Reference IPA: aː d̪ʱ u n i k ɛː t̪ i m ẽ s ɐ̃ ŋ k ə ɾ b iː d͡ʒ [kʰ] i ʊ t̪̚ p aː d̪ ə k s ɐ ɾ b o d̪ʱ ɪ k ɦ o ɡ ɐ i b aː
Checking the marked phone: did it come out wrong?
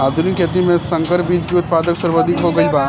yes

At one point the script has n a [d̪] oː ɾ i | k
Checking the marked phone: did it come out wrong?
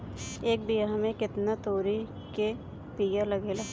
yes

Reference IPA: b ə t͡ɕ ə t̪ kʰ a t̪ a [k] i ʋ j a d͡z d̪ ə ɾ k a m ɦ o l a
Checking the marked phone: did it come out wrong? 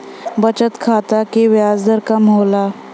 no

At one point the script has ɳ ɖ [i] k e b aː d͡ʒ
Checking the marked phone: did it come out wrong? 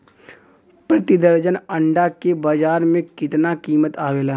yes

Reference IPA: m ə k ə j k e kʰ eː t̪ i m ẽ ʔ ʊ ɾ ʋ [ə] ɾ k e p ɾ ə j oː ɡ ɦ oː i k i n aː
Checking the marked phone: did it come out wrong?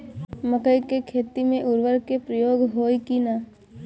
no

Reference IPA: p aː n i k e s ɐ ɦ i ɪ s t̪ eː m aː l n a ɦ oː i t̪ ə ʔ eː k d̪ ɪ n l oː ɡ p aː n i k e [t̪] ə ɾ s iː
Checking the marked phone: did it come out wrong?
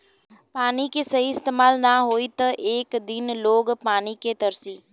no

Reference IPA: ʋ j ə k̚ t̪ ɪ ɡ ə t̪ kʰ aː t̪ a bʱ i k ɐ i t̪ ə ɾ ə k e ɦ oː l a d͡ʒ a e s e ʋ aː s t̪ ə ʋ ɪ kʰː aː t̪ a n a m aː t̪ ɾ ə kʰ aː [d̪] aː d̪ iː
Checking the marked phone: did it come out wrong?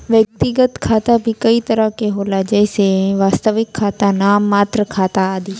yes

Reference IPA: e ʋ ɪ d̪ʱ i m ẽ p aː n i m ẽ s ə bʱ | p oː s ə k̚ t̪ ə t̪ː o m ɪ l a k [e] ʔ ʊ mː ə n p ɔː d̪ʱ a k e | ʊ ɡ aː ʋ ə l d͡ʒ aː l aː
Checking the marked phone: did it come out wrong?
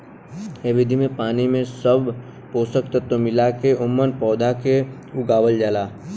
no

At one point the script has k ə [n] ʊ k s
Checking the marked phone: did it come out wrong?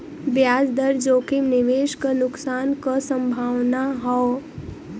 no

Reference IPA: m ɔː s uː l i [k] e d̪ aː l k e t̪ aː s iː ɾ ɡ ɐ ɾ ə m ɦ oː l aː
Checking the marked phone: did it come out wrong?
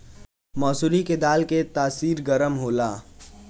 no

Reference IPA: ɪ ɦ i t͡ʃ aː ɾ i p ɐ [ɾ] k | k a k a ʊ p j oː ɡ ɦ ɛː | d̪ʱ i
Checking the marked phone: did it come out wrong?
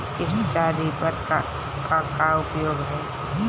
no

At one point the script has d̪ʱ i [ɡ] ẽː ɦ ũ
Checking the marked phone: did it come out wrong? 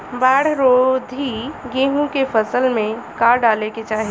no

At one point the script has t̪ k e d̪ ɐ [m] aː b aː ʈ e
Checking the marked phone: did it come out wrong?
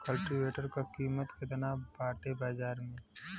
yes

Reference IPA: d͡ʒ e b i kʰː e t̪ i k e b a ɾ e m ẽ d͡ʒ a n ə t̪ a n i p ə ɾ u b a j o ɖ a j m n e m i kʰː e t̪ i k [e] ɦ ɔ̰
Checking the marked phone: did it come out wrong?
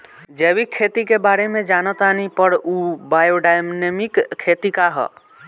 yes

